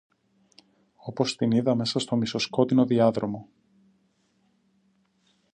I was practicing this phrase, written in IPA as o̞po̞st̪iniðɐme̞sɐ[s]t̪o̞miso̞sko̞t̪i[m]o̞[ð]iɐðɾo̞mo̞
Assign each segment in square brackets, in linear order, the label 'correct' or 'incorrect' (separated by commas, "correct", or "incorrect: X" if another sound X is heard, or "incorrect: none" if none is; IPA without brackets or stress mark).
correct, incorrect: n, correct